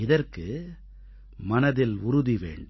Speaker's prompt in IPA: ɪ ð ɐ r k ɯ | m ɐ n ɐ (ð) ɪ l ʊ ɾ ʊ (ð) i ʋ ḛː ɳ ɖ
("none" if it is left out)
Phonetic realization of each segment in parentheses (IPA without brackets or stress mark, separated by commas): ð, ð